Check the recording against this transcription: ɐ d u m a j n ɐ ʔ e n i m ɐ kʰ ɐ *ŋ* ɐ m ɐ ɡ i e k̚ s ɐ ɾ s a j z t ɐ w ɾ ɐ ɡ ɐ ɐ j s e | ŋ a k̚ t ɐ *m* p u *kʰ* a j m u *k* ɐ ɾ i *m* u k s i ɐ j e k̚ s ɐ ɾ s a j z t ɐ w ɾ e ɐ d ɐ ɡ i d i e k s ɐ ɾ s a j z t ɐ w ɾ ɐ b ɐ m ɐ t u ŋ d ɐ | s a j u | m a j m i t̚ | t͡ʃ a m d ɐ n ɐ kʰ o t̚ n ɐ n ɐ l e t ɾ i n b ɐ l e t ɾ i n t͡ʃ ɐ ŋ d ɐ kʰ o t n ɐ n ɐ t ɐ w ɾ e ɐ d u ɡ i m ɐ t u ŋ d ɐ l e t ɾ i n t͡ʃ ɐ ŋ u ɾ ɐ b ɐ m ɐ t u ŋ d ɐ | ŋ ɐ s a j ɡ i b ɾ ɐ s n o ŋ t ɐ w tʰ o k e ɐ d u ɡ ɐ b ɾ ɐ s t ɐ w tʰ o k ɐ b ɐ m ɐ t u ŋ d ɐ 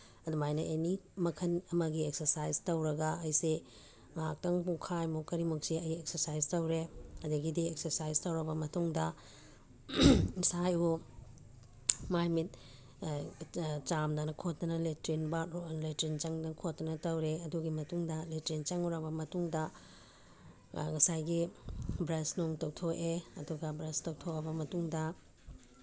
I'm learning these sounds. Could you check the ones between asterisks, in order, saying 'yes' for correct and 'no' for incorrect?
no, no, yes, yes, yes

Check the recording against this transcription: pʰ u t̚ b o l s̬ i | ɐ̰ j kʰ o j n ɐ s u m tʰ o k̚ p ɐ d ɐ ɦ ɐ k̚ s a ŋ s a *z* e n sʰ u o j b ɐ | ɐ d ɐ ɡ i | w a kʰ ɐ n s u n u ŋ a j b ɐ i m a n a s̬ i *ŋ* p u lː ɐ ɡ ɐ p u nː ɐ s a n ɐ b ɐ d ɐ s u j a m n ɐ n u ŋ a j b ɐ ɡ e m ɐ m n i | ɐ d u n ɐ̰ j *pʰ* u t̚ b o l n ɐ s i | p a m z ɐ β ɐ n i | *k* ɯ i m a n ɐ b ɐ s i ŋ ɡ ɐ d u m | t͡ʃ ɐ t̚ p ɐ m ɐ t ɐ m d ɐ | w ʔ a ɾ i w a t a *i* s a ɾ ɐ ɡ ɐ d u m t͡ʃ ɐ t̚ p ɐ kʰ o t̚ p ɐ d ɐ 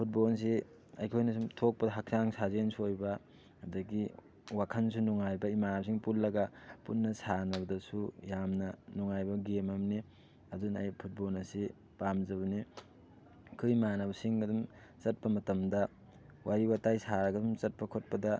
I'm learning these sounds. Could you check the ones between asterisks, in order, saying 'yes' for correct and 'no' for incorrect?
yes, yes, yes, no, no

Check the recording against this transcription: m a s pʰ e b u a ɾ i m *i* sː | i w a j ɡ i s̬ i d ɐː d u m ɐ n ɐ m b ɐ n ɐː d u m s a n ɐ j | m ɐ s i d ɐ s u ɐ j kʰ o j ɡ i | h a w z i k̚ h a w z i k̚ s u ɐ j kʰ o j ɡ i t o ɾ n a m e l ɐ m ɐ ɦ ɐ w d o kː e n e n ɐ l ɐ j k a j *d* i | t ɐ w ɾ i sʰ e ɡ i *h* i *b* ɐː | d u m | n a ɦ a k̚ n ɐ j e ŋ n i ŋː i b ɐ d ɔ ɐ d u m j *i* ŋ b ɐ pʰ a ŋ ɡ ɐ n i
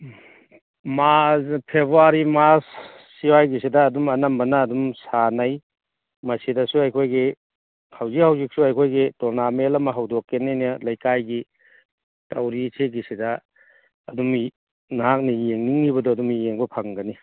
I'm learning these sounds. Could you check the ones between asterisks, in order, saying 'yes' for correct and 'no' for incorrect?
no, no, no, no, no

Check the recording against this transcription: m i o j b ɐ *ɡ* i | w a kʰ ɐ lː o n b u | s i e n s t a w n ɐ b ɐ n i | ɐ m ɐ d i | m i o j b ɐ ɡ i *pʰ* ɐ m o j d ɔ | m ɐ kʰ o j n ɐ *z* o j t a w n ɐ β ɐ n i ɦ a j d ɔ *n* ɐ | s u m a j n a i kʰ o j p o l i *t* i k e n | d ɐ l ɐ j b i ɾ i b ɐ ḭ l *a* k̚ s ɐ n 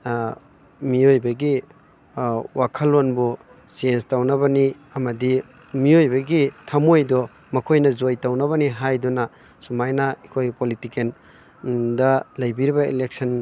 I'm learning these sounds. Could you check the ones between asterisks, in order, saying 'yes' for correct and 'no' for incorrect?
yes, no, yes, yes, yes, no

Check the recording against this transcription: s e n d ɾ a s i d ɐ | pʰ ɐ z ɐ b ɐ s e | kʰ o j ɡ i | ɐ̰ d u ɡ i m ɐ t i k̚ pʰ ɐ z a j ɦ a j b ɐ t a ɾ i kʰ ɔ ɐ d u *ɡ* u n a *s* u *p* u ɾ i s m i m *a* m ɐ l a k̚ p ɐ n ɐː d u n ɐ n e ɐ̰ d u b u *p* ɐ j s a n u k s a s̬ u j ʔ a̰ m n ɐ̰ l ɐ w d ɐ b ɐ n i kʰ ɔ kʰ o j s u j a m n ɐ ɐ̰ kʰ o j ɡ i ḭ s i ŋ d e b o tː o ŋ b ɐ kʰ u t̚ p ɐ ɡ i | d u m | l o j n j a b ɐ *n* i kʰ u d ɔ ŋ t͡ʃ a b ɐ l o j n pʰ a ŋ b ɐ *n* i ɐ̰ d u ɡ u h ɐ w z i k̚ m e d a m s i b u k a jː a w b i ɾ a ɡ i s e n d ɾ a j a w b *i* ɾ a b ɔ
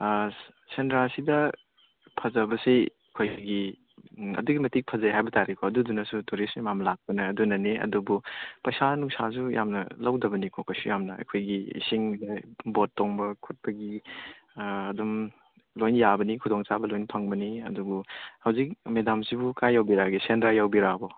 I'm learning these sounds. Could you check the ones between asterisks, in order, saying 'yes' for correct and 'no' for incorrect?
no, yes, no, yes, yes, yes, yes, yes

